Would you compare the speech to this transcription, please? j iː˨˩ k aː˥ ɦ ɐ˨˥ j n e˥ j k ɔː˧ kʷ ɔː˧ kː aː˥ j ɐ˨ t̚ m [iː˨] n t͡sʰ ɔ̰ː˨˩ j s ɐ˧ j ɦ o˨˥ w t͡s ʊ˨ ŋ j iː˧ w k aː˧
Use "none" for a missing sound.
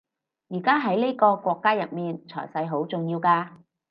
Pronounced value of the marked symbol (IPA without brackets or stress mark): iː˨